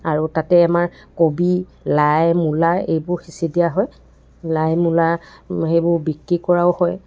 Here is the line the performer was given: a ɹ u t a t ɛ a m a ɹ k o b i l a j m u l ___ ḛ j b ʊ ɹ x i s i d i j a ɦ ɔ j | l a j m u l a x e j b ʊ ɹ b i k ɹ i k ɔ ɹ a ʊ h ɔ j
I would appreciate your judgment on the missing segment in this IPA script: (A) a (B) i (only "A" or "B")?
A